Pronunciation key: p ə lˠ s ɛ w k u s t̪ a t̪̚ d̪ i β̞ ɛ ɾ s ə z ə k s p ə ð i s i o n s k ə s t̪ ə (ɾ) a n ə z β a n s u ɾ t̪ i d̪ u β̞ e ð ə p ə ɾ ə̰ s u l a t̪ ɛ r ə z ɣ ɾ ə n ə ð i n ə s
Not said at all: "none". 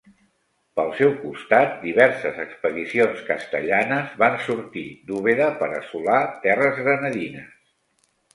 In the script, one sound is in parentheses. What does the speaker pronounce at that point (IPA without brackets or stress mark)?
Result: ʎ